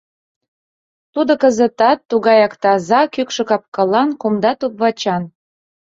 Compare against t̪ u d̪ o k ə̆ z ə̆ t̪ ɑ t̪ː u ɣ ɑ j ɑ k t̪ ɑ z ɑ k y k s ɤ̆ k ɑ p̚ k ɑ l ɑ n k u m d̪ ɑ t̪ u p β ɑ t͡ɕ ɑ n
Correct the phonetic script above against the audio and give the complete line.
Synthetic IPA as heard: t̪ u d̪ o k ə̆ z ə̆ t̪ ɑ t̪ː u ɣ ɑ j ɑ k t̪ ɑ z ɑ k y k ʃ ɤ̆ k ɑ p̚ k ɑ l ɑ n k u m d̪ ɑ t̪ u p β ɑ t͡ɕ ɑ n